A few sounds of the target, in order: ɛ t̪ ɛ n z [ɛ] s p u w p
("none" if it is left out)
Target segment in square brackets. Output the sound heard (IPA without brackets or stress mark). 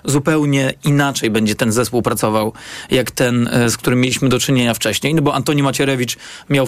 ɛ